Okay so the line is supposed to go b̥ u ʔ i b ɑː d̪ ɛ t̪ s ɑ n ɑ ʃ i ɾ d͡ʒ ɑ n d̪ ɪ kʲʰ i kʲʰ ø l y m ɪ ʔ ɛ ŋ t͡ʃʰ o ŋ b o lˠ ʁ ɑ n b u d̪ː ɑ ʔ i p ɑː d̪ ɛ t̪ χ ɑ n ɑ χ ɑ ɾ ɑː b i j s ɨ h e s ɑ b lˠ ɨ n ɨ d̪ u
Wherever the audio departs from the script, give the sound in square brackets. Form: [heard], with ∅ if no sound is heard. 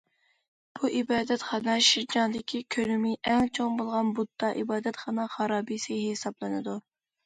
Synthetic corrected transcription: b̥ u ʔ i b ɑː d̪ ɛ t̪ [χ] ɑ n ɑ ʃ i ɾ d͡ʒ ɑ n d̪ ɪ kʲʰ i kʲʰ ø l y m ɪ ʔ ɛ ŋ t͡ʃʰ o ŋ b o lˠ ʁ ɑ n b u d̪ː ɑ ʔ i [b] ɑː d̪ ɛ t̪ χ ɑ n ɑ χ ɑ ɾ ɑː b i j s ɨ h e s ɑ b lˠ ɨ n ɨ d̪ u